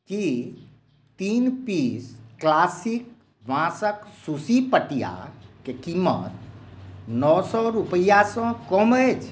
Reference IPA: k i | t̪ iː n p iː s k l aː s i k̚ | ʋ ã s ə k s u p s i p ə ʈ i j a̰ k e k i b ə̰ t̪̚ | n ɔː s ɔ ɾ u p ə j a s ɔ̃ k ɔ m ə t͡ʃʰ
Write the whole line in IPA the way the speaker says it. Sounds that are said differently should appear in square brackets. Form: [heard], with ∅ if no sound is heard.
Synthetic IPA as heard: k i | t̪ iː n p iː s k l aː s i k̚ | ʋ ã s ə k s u [∅] s i p ə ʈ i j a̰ k e k i [m] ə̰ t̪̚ | n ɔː s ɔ ɾ u p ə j a s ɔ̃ k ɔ m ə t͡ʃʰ